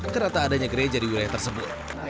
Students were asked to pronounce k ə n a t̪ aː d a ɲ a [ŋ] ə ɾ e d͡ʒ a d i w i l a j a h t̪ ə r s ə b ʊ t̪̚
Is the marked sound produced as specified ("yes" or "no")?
no